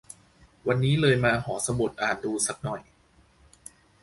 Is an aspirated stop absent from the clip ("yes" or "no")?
yes